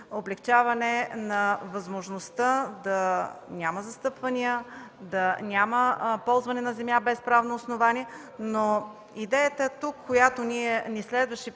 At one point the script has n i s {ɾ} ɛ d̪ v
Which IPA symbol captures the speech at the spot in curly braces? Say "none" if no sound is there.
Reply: l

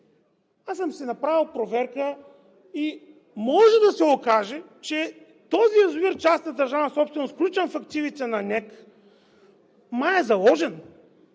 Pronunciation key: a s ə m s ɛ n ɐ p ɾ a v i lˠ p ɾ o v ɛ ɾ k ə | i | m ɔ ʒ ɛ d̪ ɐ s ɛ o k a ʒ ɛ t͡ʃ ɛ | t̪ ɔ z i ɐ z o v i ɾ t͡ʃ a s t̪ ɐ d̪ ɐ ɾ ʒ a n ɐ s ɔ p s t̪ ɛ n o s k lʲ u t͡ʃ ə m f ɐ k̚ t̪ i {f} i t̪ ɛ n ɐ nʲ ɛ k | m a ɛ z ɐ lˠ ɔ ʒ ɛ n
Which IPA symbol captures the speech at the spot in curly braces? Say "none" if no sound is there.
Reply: v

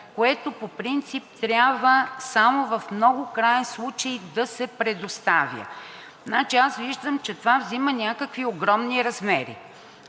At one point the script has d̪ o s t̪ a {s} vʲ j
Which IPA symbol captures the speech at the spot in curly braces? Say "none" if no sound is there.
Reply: none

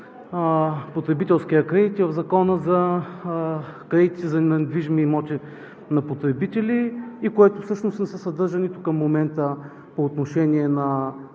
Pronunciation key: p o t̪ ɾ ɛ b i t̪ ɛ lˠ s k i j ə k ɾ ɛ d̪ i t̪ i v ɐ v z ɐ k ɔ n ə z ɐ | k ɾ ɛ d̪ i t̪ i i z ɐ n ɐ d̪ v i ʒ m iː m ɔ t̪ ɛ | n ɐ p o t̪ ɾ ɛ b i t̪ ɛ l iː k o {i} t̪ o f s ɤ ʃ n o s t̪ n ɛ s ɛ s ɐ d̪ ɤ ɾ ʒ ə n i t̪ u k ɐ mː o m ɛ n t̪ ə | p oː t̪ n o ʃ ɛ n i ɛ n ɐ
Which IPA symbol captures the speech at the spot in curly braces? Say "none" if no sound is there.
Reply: ɛ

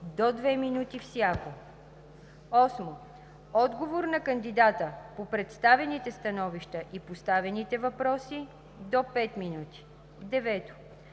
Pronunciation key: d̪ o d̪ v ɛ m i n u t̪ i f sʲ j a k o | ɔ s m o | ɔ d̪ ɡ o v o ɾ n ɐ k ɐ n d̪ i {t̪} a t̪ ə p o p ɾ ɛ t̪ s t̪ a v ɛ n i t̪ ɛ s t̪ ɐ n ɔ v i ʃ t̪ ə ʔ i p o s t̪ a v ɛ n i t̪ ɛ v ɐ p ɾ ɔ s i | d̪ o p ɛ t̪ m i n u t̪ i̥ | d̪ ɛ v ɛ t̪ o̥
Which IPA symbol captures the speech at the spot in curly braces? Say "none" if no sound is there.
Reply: d̪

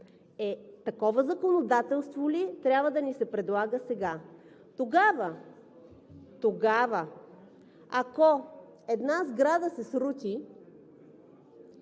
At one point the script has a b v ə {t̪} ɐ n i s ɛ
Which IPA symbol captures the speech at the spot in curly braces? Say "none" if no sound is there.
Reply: d̪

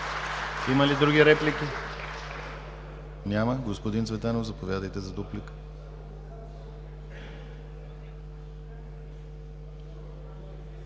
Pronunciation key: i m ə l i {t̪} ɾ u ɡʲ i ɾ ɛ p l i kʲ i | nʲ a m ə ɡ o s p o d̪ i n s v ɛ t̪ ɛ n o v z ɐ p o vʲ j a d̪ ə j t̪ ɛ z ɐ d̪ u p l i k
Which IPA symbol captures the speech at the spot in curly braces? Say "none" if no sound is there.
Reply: d̪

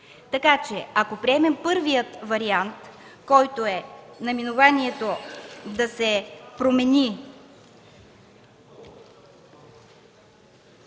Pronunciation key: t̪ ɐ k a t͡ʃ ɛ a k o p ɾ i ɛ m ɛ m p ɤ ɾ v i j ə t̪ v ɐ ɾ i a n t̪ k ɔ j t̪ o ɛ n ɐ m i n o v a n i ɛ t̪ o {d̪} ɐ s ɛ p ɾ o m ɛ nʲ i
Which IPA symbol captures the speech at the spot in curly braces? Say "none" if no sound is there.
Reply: d̪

